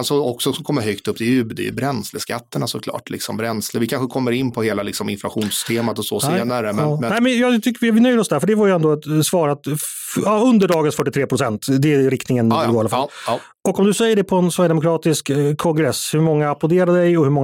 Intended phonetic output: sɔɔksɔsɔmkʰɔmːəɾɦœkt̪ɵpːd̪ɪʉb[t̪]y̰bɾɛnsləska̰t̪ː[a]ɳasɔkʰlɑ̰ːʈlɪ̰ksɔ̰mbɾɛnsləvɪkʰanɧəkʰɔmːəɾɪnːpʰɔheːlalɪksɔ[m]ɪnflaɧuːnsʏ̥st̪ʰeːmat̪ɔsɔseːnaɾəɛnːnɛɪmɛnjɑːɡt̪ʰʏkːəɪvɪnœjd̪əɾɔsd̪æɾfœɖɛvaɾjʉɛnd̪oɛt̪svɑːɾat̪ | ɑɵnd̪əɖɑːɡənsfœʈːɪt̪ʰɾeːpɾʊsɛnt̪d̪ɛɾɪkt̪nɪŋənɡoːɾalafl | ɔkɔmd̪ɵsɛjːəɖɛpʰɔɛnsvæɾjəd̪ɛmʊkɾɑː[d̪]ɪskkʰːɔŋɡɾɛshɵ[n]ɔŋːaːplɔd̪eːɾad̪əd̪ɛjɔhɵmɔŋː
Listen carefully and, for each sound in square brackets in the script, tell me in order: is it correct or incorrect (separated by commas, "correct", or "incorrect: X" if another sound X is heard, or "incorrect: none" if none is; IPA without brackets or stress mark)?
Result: incorrect: d̪, incorrect: ə, correct, incorrect: t̪, incorrect: m